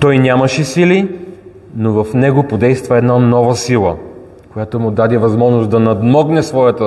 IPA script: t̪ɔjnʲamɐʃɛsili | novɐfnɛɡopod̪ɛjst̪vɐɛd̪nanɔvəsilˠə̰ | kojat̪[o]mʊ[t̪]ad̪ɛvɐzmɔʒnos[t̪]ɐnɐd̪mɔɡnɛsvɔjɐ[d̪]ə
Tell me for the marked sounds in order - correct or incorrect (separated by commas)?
correct, incorrect, incorrect, incorrect